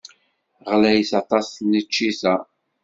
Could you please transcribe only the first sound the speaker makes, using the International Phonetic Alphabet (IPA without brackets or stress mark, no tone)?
ʁ